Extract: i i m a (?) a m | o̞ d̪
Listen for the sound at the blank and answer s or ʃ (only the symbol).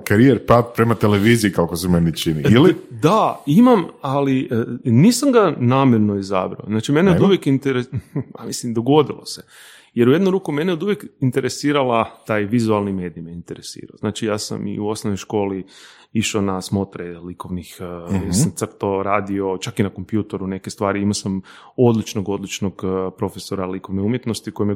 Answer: s